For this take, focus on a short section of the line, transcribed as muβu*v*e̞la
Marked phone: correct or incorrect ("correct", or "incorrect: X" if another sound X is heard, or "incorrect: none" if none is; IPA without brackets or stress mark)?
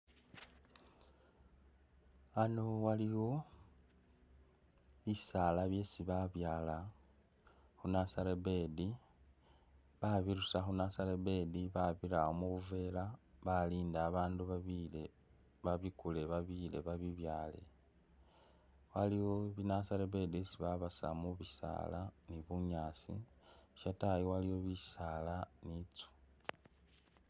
correct